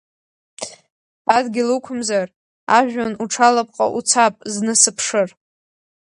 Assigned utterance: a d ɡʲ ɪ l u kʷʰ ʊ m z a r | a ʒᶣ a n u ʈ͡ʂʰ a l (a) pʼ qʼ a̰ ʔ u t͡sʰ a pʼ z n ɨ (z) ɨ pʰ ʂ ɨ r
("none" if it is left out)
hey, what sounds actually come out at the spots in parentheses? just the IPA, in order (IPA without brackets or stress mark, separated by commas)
a, s